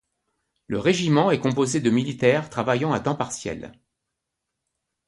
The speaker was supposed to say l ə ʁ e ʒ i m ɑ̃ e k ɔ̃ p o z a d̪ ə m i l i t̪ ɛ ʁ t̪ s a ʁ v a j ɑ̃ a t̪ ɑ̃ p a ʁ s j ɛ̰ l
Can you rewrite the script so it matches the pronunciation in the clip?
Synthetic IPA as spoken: l ə ʁ e ʒ i m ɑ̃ ɛ k ɔ̃ p o z e d̪ ə m i l i t̪ ɛ ʁ t̪ χ a v a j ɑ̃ a t̪ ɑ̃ p a ʁ s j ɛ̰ l